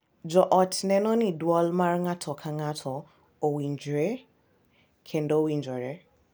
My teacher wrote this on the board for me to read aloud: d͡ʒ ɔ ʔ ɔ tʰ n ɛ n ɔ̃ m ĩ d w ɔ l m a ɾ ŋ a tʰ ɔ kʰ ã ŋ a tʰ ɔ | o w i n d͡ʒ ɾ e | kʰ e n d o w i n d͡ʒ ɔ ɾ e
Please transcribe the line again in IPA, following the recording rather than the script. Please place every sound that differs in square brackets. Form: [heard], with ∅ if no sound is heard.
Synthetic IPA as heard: d͡ʒ ɔ ʔ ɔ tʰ n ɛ n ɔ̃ [n] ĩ d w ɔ l m a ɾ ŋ a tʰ ɔ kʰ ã ŋ a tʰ ɔ | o w i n d͡ʒ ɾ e | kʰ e n d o w i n d͡ʒ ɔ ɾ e